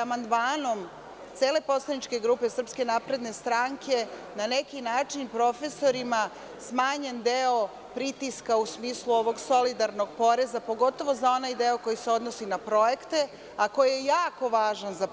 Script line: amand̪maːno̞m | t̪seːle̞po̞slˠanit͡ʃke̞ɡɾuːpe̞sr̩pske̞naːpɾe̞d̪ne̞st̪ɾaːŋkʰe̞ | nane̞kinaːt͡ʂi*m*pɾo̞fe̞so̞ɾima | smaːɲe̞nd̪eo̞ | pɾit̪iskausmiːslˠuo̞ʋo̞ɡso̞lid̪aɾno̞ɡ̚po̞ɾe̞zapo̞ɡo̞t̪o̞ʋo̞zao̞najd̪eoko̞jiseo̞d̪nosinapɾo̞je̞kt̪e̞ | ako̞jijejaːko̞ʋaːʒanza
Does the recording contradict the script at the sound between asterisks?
yes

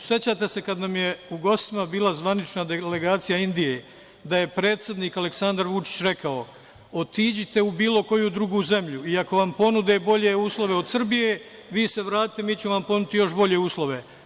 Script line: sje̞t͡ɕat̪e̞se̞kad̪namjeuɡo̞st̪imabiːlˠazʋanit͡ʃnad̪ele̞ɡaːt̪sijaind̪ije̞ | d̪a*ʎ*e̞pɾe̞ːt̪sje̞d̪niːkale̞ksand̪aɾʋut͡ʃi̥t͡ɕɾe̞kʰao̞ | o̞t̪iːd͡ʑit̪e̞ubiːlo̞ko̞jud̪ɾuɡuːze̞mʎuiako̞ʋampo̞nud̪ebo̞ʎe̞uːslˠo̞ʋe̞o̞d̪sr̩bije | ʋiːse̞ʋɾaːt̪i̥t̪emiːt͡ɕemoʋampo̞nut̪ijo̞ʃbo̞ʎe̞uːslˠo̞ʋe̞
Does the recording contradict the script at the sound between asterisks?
yes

